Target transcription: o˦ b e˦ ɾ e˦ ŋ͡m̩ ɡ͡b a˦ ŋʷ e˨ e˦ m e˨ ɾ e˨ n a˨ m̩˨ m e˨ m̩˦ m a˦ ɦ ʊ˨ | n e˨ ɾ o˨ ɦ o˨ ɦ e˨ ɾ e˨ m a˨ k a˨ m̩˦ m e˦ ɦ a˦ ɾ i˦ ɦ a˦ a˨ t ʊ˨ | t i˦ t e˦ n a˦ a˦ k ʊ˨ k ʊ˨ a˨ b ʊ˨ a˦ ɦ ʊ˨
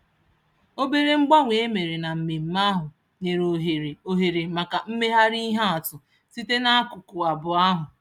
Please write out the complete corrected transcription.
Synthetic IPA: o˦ b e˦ ɾ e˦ ŋ͡m̩ ɡ͡b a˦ ŋʷ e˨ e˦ m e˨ ɾ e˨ n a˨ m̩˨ m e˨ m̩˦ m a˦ ɦ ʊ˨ | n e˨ ɾ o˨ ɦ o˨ ɦ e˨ ɾ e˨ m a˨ k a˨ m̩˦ m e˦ ɦ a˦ ɾ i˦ ɦ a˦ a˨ t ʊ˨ | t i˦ t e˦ n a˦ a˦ k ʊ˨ k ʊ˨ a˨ b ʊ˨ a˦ ɦ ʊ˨

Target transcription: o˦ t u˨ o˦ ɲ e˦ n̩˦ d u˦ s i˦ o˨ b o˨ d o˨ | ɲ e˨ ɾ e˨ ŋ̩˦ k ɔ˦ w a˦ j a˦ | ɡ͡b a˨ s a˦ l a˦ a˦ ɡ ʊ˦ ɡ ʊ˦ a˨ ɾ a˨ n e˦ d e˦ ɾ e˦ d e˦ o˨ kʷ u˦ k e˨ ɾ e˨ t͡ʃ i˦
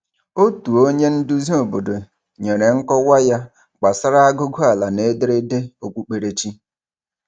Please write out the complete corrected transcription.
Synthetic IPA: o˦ t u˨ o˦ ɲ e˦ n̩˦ d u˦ z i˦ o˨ b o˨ d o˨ | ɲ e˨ ɾ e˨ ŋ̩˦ k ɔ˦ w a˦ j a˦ | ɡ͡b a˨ s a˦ ɾ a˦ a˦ ɡ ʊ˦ ɡ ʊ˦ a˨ l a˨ n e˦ d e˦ ɾ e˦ d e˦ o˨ kʷ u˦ k͡p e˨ ɾ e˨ t͡ʃ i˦

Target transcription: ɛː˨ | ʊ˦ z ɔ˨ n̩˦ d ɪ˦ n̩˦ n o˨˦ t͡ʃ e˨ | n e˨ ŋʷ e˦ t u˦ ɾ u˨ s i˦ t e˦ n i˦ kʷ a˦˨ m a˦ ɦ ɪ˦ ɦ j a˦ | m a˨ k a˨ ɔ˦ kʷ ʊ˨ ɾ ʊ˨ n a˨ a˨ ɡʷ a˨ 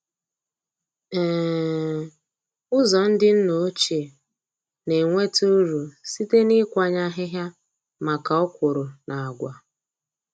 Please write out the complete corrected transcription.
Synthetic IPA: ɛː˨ | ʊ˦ z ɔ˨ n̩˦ d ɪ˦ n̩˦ n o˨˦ t͡ʃ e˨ | n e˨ ŋʷ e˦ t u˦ ɾ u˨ s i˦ t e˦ n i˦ kʷ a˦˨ ɲ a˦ ɦ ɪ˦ ɦ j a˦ | m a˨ k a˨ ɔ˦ kʷ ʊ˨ ɾ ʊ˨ n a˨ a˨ ɡʷ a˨

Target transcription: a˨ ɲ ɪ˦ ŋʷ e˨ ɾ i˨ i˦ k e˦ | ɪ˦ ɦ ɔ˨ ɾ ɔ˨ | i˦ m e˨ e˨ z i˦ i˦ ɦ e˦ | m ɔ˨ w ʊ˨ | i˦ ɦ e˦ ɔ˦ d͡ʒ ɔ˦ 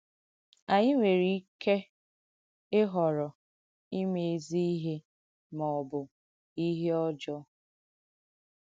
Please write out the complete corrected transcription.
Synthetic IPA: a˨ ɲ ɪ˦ ŋʷ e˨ ɾ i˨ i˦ k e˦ | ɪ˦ ɦ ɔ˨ ɾ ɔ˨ | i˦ m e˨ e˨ z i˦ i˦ ɦ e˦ | m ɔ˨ b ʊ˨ | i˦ ɦ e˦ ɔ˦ d͡ʒ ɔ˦

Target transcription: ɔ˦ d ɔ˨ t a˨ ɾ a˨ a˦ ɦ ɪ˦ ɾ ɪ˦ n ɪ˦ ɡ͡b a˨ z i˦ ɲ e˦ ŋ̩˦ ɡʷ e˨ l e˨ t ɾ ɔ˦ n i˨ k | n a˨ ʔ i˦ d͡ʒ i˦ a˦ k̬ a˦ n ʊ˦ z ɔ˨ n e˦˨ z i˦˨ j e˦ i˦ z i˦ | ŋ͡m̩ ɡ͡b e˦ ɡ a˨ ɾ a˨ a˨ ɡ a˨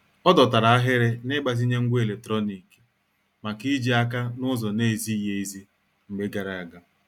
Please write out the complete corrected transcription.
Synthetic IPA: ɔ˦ d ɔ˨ t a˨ ɾ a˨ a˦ ɦ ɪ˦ ɾ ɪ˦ n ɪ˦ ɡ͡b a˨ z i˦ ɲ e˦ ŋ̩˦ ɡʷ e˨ l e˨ t ɾ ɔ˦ n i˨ k | m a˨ k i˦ d͡ʒ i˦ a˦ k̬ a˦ n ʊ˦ z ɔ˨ n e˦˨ z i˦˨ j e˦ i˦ z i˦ | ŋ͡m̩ ɡ͡b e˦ ɡ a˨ ɾ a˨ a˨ ɡ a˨

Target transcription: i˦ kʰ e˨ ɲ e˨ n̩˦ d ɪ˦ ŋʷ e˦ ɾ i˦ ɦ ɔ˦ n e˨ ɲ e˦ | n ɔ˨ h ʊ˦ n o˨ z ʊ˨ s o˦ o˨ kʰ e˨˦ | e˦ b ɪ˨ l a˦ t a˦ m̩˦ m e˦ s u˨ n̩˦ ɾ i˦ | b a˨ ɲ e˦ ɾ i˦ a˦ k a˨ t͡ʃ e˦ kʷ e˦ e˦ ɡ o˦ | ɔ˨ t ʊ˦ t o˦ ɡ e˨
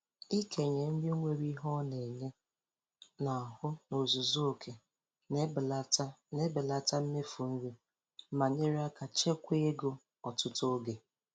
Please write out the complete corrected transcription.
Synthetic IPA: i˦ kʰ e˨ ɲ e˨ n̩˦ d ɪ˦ ŋʷ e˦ ɾ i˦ ɦ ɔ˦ n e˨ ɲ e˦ | n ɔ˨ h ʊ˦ n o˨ z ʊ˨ z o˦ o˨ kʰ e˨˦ | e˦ b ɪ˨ l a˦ t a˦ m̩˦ m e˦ f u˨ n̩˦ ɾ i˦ | m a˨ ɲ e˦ ɾ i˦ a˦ k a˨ t͡ʃ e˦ kʷ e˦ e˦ ɡ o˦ | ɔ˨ t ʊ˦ t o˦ ɡ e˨

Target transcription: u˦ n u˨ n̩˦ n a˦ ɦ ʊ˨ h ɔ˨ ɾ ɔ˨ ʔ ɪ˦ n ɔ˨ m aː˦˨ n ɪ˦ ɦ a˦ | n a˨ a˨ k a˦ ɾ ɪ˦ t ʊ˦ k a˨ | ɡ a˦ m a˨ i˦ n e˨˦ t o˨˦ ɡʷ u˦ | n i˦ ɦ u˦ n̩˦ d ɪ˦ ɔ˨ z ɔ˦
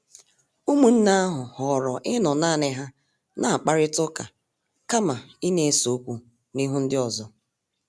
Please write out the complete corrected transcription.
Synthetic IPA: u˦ m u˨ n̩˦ n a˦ ɦ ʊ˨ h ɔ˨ ɾ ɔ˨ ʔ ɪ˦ n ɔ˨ n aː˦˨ n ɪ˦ ɦ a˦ | n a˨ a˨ k͡p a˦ ɾ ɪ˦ t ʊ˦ k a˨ | k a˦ m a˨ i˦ n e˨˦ s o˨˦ kʷ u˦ | n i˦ ɦ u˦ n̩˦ d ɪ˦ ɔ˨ z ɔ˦

